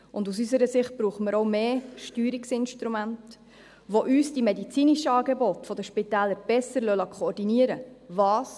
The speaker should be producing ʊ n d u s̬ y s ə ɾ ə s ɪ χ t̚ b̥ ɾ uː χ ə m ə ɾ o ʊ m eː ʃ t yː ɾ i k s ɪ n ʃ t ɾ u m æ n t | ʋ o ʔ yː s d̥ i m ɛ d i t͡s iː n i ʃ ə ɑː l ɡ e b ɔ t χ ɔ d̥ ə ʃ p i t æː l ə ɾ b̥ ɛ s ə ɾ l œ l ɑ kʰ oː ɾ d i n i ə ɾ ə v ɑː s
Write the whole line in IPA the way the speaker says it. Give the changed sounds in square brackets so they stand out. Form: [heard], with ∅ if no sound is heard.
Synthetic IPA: ʊ n d u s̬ y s ə ɾ ə s ɪ χ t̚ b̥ ɾ uː χ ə m ə ɾ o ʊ m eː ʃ t yː ɾ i k s ɪ n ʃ t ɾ u m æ n t | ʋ o ʔ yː s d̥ i m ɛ d i t͡s iː n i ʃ ə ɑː [∅] ɡ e b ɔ t [f] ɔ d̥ ə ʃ p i t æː l ə ɾ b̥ ɛ s ə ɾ l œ l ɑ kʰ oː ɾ d i n i ə ɾ ə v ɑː s